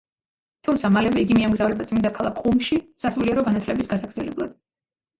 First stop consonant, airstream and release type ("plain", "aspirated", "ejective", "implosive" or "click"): aspirated